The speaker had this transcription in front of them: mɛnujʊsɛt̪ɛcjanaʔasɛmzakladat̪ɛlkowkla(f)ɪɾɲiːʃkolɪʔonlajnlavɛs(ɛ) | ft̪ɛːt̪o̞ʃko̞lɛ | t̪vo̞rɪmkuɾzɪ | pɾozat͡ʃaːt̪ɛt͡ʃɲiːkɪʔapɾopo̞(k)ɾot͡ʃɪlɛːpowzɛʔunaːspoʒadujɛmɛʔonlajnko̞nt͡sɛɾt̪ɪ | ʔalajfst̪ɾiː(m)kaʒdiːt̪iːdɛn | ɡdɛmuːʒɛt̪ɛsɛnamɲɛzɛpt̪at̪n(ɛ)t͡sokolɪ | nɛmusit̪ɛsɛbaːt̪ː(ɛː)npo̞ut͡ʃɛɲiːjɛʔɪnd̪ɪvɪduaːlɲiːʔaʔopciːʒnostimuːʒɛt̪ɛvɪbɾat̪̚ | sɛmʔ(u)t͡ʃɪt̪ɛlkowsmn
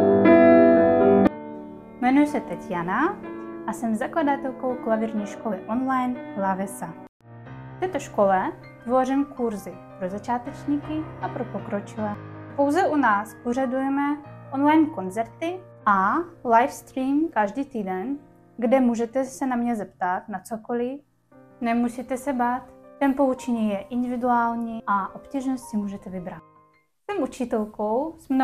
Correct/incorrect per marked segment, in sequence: incorrect: v, incorrect: a, correct, correct, incorrect: a, incorrect: ɛ, correct

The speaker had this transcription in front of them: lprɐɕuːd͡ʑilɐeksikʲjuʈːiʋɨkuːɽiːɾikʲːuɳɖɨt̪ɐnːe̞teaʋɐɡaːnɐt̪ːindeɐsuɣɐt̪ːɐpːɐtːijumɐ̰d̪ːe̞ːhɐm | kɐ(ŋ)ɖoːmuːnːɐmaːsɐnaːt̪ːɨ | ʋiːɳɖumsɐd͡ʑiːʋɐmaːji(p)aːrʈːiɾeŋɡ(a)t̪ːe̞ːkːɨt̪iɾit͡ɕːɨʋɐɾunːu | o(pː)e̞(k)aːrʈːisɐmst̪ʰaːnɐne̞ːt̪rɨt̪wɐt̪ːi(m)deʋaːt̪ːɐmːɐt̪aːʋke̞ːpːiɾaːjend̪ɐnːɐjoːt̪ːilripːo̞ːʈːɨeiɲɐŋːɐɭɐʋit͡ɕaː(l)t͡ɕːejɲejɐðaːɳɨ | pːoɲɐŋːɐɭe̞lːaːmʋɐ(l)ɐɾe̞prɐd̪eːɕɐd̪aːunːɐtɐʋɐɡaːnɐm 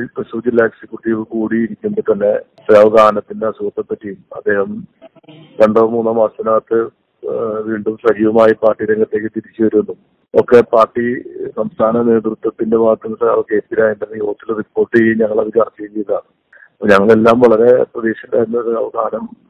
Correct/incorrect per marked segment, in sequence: incorrect: ɳ, correct, incorrect: ɐ, incorrect: kː, incorrect: p, incorrect: n, incorrect: r, incorrect: ɭ

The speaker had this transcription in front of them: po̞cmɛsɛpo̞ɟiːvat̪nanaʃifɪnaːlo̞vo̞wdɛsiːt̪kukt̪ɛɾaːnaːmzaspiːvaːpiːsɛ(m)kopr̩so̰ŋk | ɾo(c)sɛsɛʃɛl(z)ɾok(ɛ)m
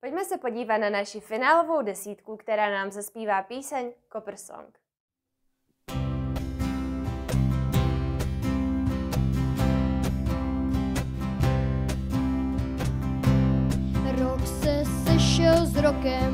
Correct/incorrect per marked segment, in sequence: incorrect: ɲ, incorrect: k, correct, correct

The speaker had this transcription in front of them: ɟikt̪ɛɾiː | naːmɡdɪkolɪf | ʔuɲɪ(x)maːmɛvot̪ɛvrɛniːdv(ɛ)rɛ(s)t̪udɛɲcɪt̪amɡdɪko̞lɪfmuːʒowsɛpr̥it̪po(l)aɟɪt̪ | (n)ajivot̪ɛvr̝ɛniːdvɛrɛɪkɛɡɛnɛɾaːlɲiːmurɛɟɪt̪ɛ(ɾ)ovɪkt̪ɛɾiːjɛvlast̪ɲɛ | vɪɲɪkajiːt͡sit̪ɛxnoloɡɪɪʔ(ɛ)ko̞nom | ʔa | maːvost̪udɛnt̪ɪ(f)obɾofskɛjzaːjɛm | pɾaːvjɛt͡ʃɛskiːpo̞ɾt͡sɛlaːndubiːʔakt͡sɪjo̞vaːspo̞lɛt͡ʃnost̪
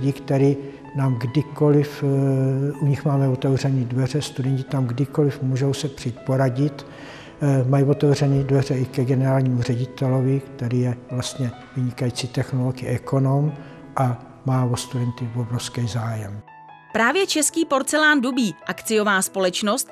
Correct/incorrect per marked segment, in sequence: correct, correct, correct, incorrect: ɾ, incorrect: m, incorrect: l, correct, incorrect: v

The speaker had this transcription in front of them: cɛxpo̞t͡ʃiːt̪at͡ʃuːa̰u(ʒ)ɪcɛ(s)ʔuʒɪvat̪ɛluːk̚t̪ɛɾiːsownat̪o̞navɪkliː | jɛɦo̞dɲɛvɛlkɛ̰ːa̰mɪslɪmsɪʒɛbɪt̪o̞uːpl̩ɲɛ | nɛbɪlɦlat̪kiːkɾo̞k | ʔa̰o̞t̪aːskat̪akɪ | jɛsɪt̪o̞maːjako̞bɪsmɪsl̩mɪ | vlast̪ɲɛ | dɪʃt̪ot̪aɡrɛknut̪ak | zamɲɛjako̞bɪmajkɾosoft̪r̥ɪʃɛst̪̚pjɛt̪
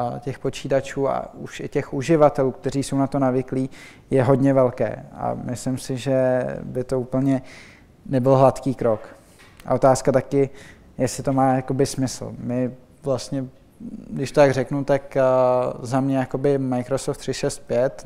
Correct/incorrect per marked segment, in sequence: incorrect: ʃ, incorrect: x

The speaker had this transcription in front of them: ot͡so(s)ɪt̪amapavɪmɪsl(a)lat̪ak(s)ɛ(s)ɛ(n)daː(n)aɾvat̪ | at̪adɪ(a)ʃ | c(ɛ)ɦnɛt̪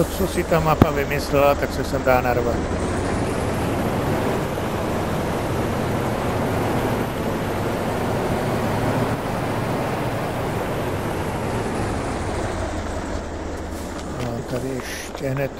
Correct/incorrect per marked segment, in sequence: correct, incorrect: ɛ, correct, correct, incorrect: m, correct, incorrect: ɛ, correct

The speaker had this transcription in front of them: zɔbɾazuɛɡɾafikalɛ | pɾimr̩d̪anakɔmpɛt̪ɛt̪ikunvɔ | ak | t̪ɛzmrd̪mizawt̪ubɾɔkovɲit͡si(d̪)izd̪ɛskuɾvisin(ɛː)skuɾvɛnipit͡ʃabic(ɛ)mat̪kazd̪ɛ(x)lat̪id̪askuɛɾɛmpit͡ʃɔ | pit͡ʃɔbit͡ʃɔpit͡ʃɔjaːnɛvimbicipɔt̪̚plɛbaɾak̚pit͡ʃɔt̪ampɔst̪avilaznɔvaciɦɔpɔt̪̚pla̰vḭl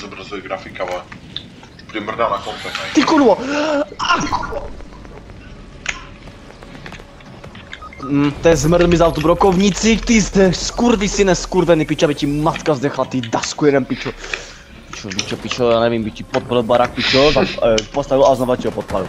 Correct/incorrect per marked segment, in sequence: incorrect: t̪, incorrect: ɛ, incorrect: i, correct

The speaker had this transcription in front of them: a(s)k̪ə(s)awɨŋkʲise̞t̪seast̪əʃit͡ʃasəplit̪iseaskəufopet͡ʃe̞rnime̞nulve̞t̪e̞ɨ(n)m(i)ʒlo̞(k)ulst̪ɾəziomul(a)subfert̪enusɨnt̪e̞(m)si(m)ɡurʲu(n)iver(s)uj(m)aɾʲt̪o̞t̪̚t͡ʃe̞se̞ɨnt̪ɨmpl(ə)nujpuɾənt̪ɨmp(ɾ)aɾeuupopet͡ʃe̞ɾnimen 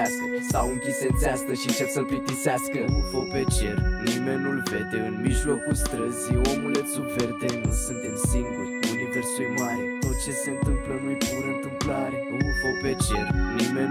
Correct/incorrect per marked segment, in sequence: correct, correct, correct, correct, correct, incorrect: e, correct, incorrect: ŋ, correct, correct, correct, correct, incorrect: l

